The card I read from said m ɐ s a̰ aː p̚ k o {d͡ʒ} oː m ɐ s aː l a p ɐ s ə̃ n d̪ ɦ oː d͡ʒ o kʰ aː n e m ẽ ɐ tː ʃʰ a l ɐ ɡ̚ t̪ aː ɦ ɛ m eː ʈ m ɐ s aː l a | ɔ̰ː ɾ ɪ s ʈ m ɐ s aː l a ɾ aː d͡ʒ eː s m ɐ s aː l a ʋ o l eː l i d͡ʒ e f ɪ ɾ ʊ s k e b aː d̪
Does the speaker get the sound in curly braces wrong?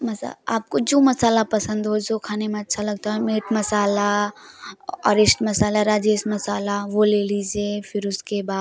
no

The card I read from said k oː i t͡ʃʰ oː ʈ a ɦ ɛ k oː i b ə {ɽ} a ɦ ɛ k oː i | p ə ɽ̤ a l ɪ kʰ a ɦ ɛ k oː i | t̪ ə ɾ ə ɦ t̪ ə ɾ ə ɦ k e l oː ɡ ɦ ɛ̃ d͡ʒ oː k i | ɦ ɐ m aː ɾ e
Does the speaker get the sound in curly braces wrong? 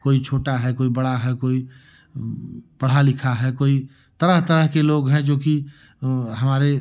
no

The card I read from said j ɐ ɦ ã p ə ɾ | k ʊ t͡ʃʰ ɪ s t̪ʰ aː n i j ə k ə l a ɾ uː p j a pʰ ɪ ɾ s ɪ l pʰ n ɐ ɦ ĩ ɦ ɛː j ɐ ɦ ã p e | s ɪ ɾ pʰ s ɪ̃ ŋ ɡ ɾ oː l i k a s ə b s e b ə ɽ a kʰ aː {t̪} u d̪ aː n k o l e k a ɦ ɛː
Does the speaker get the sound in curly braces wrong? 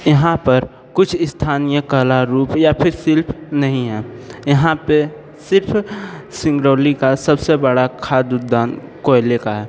yes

